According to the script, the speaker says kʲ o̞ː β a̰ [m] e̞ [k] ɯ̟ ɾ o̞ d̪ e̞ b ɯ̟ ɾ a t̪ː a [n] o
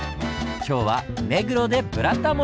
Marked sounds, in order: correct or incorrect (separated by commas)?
correct, incorrect, incorrect